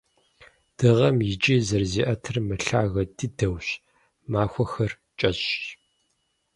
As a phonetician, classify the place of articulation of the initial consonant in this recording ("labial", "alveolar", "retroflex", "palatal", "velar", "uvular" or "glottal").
alveolar